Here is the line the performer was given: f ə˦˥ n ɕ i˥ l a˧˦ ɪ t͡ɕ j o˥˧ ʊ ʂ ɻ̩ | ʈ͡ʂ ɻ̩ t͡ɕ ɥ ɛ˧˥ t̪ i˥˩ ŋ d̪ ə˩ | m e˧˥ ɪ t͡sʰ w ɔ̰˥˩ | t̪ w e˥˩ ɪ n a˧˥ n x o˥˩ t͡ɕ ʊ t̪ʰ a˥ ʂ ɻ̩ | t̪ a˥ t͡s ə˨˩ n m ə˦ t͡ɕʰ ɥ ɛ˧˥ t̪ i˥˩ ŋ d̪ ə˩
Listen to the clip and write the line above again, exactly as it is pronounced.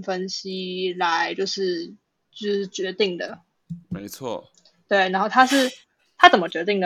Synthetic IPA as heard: f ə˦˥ n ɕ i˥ l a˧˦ ɪ t͡ɕ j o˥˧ ʊ ʂ ɻ̩ | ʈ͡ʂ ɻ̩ t͡ɕ ɥ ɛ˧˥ t̪ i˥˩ ŋ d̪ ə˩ | m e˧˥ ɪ t͡sʰ w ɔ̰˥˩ | t̪ w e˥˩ ɪ n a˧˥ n x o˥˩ ʊ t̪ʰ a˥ ʂ ɻ̩ | t̪ʰ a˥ t͡s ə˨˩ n m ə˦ t͡ɕ ɥ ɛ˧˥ t̪ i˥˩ ŋ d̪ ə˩